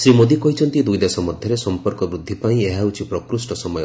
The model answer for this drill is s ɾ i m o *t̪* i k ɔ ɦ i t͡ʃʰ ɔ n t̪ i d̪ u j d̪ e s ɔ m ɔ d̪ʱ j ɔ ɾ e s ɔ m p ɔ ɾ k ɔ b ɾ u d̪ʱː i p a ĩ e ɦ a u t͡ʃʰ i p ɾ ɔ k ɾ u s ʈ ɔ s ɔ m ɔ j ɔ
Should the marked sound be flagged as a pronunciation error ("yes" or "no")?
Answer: yes